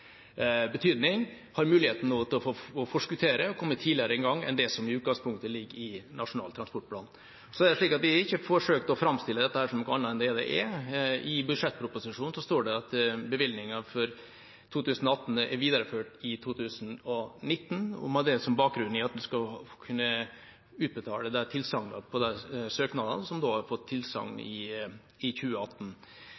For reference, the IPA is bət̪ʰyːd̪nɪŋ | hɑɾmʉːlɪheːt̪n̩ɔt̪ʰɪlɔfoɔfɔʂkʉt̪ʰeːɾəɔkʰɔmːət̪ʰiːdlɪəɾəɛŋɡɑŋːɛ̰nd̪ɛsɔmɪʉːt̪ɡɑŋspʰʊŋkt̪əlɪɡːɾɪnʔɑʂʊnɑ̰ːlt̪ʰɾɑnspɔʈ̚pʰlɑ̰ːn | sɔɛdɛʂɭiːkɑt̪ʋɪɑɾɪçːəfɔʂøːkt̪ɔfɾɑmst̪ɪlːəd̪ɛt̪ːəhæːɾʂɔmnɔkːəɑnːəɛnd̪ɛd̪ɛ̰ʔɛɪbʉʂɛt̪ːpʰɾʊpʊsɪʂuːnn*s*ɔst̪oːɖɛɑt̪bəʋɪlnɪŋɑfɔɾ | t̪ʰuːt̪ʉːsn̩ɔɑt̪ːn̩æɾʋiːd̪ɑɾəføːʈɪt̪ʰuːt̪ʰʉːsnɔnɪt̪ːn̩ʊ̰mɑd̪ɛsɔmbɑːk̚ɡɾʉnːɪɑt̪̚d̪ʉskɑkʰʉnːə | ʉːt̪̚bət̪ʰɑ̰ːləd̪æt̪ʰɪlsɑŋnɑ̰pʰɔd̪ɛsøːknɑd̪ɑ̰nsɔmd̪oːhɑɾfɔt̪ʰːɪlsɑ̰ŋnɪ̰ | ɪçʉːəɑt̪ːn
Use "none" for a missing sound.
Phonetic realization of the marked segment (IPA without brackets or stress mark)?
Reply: s